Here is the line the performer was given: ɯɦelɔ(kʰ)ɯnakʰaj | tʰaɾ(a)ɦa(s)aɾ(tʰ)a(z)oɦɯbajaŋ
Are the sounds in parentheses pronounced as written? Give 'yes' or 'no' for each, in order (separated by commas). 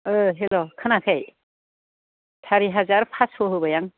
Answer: yes, no, no, no, no